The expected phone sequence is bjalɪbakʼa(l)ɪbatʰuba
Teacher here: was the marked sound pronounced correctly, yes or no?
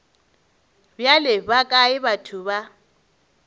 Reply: no